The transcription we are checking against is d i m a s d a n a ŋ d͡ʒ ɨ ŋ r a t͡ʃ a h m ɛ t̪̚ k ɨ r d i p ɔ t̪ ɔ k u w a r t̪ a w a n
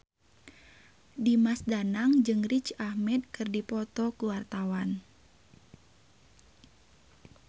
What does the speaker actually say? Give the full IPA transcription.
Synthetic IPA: d i m a s d a n a ŋ d͡ʒ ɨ ŋ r i t͡ʃ a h m ɛ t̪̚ k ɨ r d i p ɔ t̪ ɔ k u w a r t̪ a w a n